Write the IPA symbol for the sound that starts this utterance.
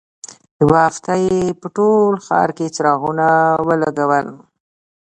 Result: w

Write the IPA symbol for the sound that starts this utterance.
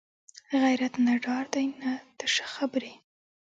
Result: ɣ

